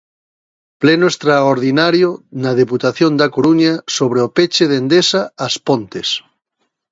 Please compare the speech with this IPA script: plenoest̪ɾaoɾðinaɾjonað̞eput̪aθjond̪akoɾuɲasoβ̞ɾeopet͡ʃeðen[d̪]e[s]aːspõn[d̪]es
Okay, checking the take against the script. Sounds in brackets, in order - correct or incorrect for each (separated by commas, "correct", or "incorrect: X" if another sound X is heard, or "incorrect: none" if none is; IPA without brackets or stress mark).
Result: correct, correct, incorrect: t̪